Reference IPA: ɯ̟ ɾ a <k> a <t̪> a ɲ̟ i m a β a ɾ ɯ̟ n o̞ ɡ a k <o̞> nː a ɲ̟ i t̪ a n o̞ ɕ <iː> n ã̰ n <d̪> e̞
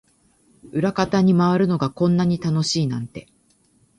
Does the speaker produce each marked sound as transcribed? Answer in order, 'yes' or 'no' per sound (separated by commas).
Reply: yes, yes, no, yes, no